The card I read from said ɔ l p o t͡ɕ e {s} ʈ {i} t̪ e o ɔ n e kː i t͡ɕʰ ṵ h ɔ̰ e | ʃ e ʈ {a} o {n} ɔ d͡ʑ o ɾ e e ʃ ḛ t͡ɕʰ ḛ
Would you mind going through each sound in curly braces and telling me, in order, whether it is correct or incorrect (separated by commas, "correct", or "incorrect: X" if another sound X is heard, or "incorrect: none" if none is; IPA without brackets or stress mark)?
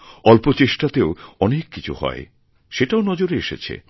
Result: incorrect: ʃ, incorrect: a, correct, correct